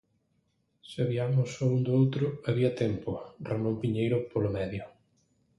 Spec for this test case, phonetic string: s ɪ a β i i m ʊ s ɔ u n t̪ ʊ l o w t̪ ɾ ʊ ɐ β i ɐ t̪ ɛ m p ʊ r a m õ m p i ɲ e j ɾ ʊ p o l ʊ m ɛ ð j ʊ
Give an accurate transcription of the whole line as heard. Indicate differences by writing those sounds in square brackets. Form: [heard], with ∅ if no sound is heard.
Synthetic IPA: s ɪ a β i [a] m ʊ s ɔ u n [d̪] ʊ [∅] o w t̪ ɾ ʊ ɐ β i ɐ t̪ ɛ m p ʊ r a m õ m p i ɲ e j ɾ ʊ p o l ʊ m ɛ ð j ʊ

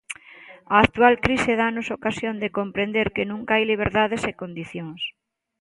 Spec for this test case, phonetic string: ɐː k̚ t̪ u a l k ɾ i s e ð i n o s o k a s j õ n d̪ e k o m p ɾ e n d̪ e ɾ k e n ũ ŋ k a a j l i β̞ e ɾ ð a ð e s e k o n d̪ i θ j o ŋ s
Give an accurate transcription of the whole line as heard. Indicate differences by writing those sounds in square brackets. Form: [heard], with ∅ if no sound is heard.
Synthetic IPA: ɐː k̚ t̪ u a l k ɾ i s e ð [a] n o s o k a s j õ n d̪ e k o m p ɾ e n d̪ e ɾ k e n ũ ŋ k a a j l i β̞ e ɾ ð a ð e s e k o n d̪ i θ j o ŋ s

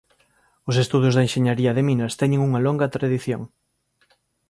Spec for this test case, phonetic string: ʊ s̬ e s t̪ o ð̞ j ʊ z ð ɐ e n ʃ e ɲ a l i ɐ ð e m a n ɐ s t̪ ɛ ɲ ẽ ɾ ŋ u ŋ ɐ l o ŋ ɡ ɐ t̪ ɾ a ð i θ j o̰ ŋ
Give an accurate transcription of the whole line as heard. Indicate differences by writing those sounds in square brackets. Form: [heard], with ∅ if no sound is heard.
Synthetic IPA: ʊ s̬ e s t̪ [u] ð̞ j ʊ z ð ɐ e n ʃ e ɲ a [ɾ] i ɐ ð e m [i] n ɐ s t̪ ɛ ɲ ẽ [∅] ŋ u ŋ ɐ l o ŋ ɡ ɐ t̪ ɾ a ð i θ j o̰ ŋ

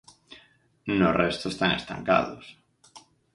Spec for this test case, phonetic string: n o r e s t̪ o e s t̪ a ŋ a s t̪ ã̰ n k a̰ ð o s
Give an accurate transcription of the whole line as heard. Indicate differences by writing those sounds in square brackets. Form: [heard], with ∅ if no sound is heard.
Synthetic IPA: n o r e s t̪ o e s t̪ a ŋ [e] s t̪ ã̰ [ŋ] k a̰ ð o s

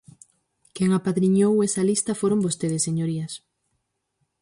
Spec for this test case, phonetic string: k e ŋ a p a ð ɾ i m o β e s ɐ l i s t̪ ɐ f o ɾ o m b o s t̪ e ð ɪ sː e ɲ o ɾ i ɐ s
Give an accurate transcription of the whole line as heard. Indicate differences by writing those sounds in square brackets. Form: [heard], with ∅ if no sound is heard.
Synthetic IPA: k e ŋ a p a ð ɾ i [ɲ] o [w] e s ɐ l i s t̪ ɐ f o ɾ o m b o s t̪ e ð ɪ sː e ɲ o ɾ i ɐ s

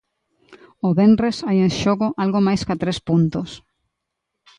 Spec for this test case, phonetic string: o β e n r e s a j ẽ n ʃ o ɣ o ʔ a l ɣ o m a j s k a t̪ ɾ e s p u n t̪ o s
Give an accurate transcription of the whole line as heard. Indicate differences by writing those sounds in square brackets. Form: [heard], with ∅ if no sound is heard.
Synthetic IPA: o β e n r e s a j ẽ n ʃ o ɣ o ʔ a l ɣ o m a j s k a t̪ ɾ e s p u n t̪ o s

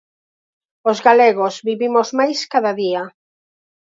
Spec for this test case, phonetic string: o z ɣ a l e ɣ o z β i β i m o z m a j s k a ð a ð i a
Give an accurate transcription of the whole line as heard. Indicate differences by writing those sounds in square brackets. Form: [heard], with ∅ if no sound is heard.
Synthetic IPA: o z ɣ a l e ɣ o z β i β i m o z m a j s k a ð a ð i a

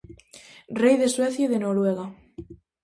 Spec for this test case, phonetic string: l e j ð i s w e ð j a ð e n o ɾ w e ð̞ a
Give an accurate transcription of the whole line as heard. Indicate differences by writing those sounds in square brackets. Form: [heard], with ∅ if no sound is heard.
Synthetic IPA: [r] e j ð [e] s w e [θ] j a ð e n o ɾ w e [ɣ̞] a

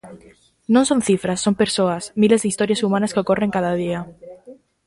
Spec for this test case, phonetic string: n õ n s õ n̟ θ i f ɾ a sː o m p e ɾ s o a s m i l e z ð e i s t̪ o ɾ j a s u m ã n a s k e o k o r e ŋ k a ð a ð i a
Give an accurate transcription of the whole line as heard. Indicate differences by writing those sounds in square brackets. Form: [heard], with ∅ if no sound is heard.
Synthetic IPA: n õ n s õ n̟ θ i f ɾ a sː o m p e ɾ s o a s m i l e z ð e i s t̪ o ɾ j a s u m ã n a s k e o k o r e ŋ k a ð a ð i a

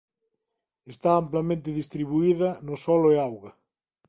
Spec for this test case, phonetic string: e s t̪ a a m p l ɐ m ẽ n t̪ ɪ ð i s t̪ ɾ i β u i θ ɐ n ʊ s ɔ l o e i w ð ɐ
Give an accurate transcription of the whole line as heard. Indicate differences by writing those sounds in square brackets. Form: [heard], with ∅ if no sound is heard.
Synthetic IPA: e s t̪ a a m p l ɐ m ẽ n t̪ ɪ ð i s t̪ ɾ i β u i [ð] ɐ n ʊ s ɔ l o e [a] w [ɣ] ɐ

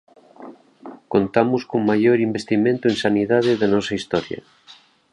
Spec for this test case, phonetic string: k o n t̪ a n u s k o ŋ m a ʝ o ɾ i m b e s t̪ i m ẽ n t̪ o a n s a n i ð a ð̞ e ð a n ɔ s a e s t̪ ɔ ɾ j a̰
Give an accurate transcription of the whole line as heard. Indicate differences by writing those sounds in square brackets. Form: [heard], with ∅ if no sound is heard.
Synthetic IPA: k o n t̪ a [m] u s k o ŋ m a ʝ o ɾ i m b e s t̪ i m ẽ n t̪ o [e] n s a n i ð a ð̞ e ð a n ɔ s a [i] s t̪ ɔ ɾ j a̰

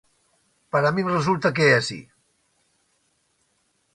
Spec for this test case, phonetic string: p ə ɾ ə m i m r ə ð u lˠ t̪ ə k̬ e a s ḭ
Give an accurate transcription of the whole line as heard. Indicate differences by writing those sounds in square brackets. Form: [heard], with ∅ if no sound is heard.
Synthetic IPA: p ə ɾ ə m i m r ə [z] u lˠ t̪ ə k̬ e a s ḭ

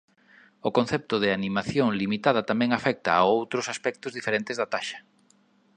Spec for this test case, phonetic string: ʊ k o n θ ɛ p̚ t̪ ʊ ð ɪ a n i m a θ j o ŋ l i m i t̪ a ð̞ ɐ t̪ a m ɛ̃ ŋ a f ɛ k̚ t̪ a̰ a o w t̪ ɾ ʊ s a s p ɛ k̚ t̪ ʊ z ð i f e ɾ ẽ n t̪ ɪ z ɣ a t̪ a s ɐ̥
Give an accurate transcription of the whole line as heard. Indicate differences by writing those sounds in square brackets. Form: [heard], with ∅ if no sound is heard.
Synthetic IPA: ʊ k o n θ ɛ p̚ t̪ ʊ ð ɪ a n i m a θ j o ŋ l i m i t̪ a ð̞ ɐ t̪ a m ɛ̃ ŋ a f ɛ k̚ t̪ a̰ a o w t̪ ɾ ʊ s a s p ɛ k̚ t̪ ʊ z ð i f e ɾ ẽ n t̪ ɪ z [ð] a t̪ a [ʃ] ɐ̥

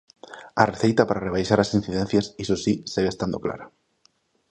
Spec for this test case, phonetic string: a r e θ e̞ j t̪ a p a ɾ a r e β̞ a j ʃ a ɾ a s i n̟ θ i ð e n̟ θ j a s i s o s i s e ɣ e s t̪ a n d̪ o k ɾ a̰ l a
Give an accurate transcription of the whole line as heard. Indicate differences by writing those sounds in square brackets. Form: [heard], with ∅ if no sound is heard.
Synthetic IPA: a r e θ e̞ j t̪ a p a ɾ a r e β̞ a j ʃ a ɾ a s i n̟ θ i ð e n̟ θ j a s i s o s i s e ɣ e s t̪ a n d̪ o k [l] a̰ [ɾ] a

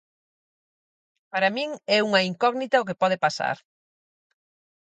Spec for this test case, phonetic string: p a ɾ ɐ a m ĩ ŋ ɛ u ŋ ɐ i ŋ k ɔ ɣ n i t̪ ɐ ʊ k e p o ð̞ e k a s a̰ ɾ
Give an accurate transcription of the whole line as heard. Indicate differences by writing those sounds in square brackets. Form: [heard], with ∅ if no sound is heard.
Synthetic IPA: p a ɾ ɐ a m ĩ ŋ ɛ u ŋ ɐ i ŋ k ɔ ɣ n i t̪ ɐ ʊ k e p [ɔ] ð̞ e [p] a s a̰ ɾ

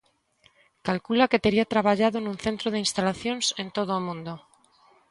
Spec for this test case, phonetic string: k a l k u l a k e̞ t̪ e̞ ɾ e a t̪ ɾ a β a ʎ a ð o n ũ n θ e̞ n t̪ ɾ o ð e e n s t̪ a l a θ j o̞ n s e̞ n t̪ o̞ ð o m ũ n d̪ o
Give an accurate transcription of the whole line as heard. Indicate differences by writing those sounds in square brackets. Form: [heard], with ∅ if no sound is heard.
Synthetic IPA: k a l k u l a k e̞ t̪ e̞ ɾ [i] a t̪ ɾ a β a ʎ a ð o n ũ n θ e̞ n t̪ ɾ o ð e [i] n s t̪ a l a θ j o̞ n s e̞ n t̪ o̞ ð o m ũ n d̪ o

